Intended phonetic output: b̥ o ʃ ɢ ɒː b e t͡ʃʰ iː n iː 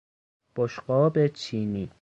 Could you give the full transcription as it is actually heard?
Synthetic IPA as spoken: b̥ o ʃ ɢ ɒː b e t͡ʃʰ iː n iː